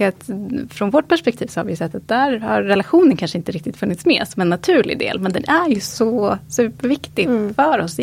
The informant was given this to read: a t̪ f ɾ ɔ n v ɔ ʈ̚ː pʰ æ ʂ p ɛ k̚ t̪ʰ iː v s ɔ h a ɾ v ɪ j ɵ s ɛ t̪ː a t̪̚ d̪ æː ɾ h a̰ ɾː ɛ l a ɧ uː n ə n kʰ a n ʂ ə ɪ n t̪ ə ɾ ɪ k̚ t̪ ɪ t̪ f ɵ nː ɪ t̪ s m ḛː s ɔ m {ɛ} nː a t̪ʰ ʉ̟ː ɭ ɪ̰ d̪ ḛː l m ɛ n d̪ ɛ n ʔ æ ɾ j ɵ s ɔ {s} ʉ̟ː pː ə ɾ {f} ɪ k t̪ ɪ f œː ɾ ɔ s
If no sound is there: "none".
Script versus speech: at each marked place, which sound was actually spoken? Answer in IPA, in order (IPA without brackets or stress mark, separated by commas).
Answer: ɛ, s, v